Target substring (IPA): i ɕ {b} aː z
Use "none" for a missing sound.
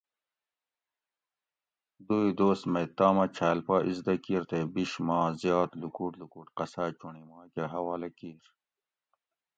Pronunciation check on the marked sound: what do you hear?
m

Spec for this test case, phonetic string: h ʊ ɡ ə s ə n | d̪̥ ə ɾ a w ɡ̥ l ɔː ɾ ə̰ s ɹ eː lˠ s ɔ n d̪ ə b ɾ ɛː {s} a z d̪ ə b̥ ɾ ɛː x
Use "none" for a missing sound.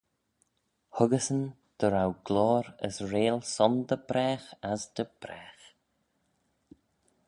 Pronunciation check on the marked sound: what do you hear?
x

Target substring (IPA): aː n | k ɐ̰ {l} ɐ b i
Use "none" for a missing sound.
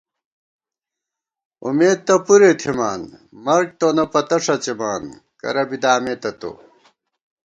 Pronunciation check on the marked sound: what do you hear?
ɾ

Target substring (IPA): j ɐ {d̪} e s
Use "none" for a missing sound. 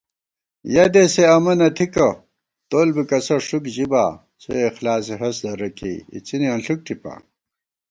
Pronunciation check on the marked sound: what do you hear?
d̪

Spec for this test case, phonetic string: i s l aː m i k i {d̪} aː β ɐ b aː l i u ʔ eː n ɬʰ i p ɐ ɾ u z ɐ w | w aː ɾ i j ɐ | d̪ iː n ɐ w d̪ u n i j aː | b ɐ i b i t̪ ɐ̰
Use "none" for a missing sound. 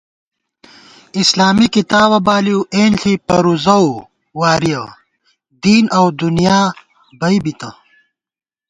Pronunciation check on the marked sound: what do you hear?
t̪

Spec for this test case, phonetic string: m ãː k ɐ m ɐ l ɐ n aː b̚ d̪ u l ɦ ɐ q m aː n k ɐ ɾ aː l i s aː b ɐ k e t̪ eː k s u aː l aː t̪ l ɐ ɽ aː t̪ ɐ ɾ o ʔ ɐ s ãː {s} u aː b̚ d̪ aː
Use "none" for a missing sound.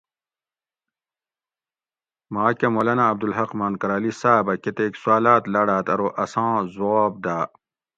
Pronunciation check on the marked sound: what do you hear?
z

